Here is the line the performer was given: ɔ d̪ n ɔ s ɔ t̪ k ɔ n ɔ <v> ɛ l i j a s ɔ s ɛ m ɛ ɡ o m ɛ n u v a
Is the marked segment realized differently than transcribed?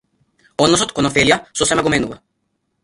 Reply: yes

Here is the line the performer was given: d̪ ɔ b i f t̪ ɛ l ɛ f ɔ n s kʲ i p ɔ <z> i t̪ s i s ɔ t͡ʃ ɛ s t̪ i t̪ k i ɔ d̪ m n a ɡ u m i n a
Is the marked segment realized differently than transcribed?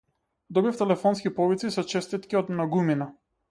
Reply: yes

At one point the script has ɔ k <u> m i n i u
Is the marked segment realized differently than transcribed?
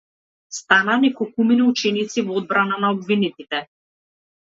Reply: no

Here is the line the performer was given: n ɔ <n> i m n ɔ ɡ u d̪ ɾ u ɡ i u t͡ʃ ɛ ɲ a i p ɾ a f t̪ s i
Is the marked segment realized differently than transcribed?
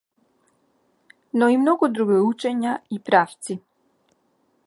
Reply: yes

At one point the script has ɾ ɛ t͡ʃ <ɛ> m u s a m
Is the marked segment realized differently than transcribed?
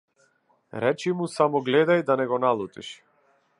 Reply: yes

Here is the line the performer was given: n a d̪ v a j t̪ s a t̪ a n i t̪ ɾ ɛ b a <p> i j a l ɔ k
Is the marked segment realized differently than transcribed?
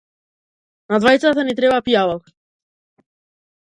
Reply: no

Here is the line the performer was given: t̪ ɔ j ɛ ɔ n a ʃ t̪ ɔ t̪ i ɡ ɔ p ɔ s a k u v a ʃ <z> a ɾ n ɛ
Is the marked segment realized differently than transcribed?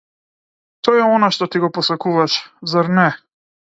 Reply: no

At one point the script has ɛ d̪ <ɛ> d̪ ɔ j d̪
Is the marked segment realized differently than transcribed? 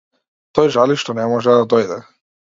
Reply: yes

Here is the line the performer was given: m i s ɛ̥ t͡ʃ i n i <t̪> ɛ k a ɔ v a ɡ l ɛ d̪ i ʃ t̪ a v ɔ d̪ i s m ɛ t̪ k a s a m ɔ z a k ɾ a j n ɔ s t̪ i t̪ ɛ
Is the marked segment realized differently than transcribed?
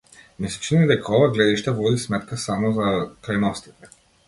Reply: yes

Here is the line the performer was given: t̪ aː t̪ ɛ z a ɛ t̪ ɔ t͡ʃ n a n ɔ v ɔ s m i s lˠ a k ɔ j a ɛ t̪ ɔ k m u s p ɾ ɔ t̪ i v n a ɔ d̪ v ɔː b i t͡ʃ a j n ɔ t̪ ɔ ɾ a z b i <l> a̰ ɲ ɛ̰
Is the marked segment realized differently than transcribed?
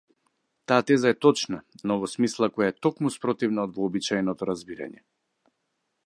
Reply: yes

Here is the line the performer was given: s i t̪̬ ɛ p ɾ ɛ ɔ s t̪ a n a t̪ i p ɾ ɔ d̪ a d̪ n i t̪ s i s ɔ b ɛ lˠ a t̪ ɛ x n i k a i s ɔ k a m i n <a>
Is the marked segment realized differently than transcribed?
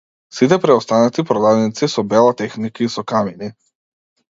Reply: yes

